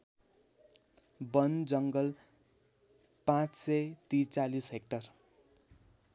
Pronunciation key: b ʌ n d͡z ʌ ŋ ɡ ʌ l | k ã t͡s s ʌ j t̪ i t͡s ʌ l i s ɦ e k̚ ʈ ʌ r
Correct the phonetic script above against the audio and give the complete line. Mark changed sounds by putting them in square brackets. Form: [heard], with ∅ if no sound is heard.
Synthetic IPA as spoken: b ʌ n d͡z ʌ ŋ ɡ ʌ l | [p] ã t͡s s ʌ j t̪ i t͡s [a] l i s ɦ e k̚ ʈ ʌ r